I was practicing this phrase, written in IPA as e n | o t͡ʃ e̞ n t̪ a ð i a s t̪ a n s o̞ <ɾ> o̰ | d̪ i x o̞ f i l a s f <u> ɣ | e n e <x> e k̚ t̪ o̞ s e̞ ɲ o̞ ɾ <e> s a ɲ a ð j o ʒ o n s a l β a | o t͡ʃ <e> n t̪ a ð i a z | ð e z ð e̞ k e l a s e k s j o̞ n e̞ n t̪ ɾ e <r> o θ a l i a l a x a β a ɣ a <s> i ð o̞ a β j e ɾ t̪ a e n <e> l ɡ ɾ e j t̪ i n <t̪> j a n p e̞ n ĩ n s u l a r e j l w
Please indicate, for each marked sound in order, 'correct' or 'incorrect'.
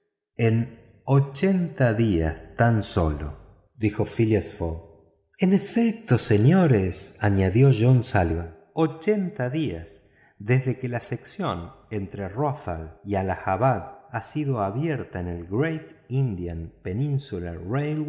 incorrect, incorrect, incorrect, correct, correct, correct, correct, correct, incorrect

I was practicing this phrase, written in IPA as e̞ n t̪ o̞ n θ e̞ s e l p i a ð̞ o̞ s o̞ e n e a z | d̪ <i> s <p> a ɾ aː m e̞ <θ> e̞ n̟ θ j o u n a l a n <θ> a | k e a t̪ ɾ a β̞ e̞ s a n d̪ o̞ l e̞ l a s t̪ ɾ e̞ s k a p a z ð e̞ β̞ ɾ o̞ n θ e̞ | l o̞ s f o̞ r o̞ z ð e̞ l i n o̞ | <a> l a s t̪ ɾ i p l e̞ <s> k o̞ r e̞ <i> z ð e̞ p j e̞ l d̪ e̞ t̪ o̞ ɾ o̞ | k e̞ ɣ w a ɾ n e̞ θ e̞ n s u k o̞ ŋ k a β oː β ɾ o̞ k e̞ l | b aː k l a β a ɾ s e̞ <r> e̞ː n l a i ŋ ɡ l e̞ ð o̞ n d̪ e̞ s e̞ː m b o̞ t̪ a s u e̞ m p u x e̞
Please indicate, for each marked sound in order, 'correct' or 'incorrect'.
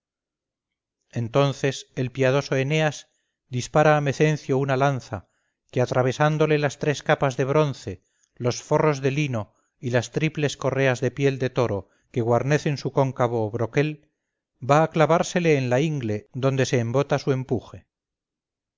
correct, correct, correct, correct, incorrect, correct, incorrect, incorrect

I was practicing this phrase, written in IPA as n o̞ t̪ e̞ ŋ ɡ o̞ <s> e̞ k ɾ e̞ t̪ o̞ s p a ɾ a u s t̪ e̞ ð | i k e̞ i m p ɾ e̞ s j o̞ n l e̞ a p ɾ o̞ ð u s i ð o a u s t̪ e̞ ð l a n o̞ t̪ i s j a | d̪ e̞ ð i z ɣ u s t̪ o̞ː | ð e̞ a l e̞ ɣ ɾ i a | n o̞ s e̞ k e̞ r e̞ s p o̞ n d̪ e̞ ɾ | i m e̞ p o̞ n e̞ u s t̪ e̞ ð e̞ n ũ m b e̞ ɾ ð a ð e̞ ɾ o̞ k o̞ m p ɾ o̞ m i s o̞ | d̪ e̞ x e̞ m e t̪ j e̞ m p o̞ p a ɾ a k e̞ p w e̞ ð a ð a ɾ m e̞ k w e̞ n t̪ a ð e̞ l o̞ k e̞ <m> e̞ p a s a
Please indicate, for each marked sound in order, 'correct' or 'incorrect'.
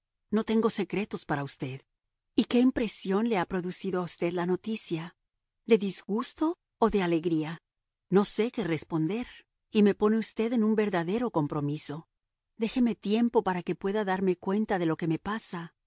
correct, correct

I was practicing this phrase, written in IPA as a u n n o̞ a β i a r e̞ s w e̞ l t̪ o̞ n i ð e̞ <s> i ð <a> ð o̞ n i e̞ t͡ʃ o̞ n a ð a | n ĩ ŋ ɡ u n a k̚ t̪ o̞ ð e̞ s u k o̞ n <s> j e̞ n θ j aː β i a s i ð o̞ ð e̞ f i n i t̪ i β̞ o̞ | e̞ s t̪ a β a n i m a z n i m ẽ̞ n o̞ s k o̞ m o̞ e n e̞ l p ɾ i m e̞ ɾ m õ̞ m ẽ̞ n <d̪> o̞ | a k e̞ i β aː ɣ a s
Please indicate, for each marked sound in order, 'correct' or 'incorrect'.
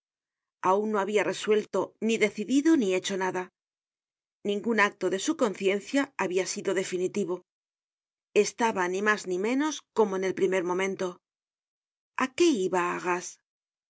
incorrect, incorrect, incorrect, incorrect

